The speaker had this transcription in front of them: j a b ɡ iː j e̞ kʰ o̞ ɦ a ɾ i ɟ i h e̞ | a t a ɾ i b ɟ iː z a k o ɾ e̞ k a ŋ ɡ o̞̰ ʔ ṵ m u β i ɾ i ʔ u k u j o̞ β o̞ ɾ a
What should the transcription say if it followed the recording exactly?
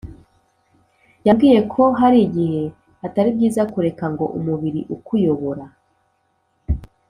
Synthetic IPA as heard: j a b ɡ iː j e̞ kʰ o̞ ɦ a ɾ i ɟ i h e̞ | a t a ɾ i b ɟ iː z a k u ɾ e̞ k a ŋ ɡ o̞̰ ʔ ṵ m u β i ɾ i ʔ u k u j o̞ β o̞ ɾ a

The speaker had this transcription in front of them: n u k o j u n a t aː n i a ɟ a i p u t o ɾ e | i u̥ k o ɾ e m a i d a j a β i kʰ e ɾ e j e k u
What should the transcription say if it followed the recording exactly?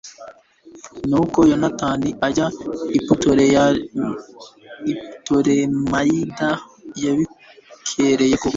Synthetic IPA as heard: n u k o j o n a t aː n i a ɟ a i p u t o ɾ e | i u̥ t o ɾ e m a i d a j a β i kʰ e ɾ e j e k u

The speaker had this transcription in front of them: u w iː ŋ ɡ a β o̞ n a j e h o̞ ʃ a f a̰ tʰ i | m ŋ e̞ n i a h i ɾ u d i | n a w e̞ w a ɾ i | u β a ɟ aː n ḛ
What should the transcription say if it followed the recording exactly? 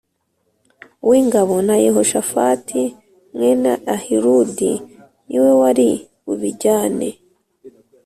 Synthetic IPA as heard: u w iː ŋ ɡ a β o̞ n a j e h o̞ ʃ a f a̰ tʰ i | m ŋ e̞ n a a h i ɾ u d i | n i w e̞ w a ɾ i | u β i ɟ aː n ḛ

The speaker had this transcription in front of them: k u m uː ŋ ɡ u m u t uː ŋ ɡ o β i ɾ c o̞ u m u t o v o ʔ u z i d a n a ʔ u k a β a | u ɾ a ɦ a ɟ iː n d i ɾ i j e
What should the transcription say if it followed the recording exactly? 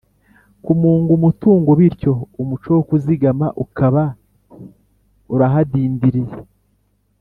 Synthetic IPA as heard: k u m uː ŋ ɡ u m u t uː ŋ ɡ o β i ɾ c o̞ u m u t͡ʃ o w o k u z i ɡ a m a ʔ u k a β a | u ɾ a ɦ a d iː n d i ɾ i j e

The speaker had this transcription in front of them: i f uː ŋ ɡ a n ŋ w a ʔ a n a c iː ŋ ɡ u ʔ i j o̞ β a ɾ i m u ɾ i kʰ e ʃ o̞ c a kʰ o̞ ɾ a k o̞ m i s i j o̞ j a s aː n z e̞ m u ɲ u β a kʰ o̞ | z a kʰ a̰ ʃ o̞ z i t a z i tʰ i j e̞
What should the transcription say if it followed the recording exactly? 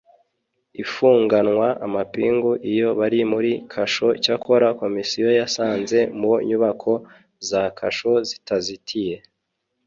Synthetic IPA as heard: i f uː ŋ ɡ a n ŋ w a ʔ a m a p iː ŋ ɡ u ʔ i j o̞ β a ɾ i m u ɾ i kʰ a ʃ o̞ c a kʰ o̞ ɾ a k o̞ m i s i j o̞ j a s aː n z e̞ m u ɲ u β a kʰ o̞ | z a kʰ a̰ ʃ o̞ z i t a z i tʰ i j e̞

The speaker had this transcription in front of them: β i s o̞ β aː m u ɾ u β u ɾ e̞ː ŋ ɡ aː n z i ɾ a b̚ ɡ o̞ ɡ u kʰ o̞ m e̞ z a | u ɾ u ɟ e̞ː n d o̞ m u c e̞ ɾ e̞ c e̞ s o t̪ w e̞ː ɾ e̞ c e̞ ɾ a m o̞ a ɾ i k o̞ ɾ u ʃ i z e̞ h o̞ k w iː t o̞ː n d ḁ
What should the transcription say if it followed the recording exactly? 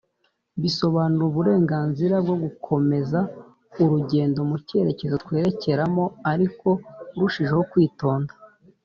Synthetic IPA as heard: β i s o̞ β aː n u ɾ u β u ɾ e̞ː ŋ ɡ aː n z i ɾ a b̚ ɡ o̞ ɡ u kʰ o̞ m e̞ z a | u ɾ u ɟ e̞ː n d o̞ m u c e̞ ɾ e̞ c e̞ z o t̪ w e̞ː ɾ e̞ c e̞ ɾ a m o̞ a ɾ i k o̞ ɾ u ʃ i ʒ e̞ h o̞ k w iː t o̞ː n d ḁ

